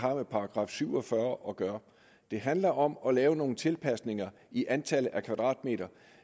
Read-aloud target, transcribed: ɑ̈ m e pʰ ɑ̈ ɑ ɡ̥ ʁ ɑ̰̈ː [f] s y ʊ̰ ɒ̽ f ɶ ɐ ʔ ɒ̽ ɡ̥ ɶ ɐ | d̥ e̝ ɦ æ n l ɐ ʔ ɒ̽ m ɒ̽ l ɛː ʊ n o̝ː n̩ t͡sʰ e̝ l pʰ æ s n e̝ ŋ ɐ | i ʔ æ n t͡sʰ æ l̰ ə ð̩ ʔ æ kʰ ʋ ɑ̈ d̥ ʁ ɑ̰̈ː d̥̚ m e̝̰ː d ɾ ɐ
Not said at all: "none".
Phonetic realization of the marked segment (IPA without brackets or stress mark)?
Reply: f